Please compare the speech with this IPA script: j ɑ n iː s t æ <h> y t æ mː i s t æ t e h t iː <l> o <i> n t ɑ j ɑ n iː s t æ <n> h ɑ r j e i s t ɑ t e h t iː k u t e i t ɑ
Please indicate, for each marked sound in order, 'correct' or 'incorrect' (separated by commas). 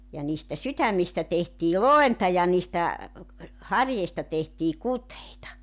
incorrect, correct, incorrect, incorrect